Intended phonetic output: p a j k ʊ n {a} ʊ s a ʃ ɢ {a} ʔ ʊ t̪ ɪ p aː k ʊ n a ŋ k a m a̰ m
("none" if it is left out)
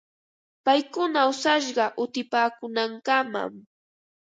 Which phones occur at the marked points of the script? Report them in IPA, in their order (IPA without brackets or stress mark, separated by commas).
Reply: a, ɑ